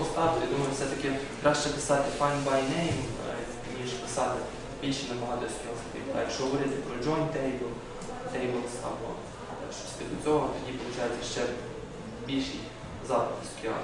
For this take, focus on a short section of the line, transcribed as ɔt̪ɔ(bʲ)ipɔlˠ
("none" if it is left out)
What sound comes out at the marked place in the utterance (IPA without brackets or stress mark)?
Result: dʲ